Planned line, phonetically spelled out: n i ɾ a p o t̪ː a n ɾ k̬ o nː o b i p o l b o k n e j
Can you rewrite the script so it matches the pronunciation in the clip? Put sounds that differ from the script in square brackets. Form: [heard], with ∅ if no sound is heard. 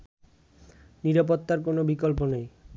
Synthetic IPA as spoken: n i ɾ a p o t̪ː a [∅] ɾ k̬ o [n] o b i [k] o l [p] o [∅] n e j